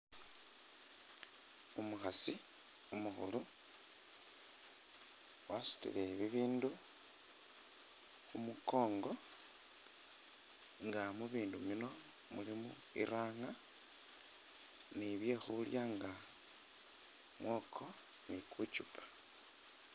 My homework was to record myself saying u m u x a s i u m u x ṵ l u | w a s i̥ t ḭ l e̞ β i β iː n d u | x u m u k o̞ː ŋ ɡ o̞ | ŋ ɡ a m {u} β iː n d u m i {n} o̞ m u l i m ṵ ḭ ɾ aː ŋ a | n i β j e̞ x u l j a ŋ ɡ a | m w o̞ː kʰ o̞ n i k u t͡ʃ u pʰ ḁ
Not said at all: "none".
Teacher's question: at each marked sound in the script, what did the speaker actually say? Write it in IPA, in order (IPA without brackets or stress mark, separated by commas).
u, n